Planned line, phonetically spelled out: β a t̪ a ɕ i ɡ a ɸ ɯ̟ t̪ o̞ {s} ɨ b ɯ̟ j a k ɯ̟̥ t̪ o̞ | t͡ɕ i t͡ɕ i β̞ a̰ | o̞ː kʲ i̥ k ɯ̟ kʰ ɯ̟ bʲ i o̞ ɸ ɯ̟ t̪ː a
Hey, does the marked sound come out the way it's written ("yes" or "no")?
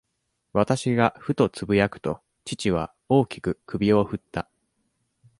no